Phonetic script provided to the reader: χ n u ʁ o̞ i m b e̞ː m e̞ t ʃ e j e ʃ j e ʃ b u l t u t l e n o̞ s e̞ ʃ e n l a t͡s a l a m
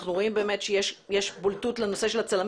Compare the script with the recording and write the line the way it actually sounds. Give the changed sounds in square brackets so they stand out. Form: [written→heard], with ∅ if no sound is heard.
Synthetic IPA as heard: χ n u ʁ o̞ i m b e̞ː m e̞ t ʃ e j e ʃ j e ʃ b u l t u t l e n o̞ s e̞ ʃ e [n→∅] l a t͡s a l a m